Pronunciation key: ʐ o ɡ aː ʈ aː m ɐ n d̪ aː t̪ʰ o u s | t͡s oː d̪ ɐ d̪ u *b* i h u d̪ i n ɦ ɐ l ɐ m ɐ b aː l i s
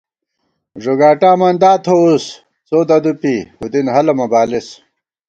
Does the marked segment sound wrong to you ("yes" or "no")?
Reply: yes